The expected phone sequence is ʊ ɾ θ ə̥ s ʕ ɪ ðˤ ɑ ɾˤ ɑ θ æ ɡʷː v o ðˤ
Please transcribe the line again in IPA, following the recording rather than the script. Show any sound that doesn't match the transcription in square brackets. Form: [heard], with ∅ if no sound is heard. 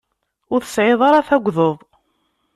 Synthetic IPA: ʊ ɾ θ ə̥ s ʕ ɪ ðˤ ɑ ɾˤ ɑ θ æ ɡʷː [ð] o ðˤ